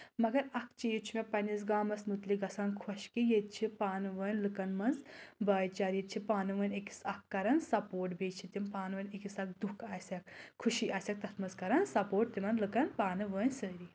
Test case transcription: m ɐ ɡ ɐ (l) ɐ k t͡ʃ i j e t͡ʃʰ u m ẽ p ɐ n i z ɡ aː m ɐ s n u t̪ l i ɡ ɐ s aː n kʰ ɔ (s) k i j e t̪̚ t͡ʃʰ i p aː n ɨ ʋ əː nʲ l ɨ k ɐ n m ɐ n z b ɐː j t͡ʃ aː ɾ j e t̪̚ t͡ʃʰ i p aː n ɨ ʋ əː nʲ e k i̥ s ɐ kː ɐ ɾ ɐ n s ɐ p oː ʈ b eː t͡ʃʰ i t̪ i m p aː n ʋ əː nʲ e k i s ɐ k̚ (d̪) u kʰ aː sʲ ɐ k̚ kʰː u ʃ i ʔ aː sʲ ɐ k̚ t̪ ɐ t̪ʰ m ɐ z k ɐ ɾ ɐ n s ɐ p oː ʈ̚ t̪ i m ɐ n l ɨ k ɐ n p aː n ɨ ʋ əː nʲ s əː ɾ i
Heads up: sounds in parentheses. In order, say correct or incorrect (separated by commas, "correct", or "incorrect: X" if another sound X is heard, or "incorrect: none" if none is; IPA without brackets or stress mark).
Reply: incorrect: ɾ, incorrect: ʃ, correct